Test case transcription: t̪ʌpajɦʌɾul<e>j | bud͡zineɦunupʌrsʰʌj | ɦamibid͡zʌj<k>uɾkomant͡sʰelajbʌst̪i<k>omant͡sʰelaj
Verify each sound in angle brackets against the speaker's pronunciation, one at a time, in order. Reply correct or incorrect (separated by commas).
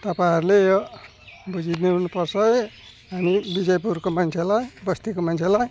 correct, incorrect, correct